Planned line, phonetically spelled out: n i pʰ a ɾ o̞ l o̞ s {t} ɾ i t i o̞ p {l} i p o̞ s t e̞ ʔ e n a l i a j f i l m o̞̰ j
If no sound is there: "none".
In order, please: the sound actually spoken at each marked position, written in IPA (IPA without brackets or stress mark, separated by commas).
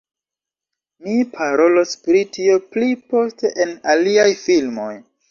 p, l